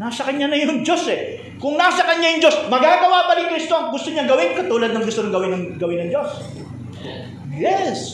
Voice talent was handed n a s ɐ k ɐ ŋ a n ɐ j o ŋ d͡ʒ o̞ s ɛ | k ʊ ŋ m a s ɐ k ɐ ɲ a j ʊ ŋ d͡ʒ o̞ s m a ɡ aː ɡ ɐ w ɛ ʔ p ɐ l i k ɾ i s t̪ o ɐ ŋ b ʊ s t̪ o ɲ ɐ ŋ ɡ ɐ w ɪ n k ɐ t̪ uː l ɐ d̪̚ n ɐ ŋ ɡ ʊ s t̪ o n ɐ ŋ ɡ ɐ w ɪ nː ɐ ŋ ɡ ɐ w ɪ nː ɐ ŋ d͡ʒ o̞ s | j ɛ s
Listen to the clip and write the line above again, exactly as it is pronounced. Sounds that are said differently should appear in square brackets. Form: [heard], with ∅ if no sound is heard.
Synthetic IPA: n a s ɐ k ɐ [ɲ] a n ɐ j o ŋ d͡ʒ o̞ s ɛ | k ʊ ŋ [n] a s ɐ k ɐ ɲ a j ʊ ŋ d͡ʒ o̞ s m [ɐ] ɡ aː ɡ ɐ w [a] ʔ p ɐ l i k ɾ i s t̪ o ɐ ŋ [ɡ] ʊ s t̪ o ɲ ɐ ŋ ɡ ɐ w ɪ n k ɐ t̪ uː l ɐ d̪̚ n ɐ ŋ ɡ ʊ s t̪ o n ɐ ŋ ɡ ɐ w ɪ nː ɐ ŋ ɡ ɐ w ɪ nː ɐ ŋ d͡ʒ o̞ s | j ɛ s